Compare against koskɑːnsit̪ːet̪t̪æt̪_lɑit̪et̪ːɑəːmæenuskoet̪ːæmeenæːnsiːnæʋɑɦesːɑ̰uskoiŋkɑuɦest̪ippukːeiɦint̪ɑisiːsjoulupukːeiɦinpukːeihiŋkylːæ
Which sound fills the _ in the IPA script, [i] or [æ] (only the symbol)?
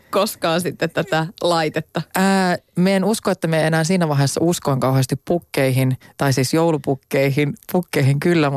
æ